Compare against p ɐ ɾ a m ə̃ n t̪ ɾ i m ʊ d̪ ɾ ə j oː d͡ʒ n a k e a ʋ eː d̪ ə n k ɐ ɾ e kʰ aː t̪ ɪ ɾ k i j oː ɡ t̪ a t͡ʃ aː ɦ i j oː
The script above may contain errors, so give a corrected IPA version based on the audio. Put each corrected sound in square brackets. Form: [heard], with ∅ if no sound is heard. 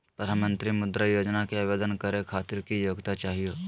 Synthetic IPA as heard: p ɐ ɾ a m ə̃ n t̪ ɾ i m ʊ d̪ ɾ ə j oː d͡ʒ n a k e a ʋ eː d̪ ə n k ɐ ɾ e kʰ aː t̪ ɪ ɾ k i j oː ɡ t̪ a t͡ʃ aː ɦ i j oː